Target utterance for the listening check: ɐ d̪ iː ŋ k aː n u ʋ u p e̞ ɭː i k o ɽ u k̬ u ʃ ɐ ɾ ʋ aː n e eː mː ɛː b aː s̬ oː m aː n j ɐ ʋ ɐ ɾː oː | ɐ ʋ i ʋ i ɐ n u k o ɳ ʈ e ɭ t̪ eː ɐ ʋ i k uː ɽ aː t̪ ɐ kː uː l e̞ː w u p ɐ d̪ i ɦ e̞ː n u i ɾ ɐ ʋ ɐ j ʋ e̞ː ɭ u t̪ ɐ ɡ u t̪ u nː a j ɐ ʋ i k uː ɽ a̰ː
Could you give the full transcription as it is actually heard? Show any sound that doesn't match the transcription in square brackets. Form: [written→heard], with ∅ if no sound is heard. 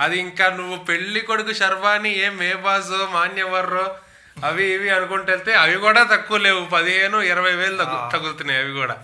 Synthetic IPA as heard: ɐ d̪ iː ŋ k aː n u [ʋ→ʋː] u p e̞ ɭː i k o ɽ u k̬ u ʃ ɐ ɾ ʋ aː n [e→i] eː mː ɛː b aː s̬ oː m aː n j ɐ ʋ ɐ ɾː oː | ɐ ʋ i ʋ i ɐ n u k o ɳ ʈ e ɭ t̪ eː ɐ ʋ i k uː ɽ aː t̪ ɐ kː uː l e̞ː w u p ɐ d̪ i ɦ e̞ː n u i ɾ ɐ ʋ ɐ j ʋ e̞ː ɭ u t̪ ɐ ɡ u t̪ u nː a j ɐ ʋ i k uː ɽ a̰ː